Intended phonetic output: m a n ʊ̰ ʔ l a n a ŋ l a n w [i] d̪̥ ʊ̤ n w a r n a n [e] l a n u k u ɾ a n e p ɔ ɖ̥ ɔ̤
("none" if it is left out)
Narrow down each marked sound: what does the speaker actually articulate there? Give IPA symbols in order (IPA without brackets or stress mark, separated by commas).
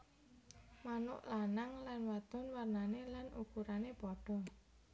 a, e